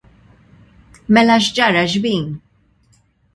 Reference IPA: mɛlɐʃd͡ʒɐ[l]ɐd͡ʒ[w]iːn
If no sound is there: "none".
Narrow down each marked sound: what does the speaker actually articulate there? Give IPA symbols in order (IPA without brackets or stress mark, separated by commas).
ɾ, b